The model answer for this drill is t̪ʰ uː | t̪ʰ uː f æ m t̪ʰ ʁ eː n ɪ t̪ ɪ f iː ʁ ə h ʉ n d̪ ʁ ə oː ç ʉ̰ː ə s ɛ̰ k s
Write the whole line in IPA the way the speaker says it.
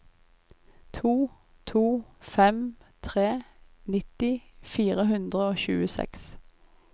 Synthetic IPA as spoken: t̪ʰ uː | t̪ʰ uː f ɛ m t̪ʰ ʁ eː n ɪ t̪ ɪ f iː ʁ ə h ʉ n d̪ ʁ ə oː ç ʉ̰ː ə s ɛ̰ k s